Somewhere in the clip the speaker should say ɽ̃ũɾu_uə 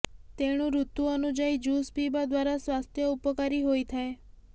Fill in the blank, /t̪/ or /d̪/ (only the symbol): t̪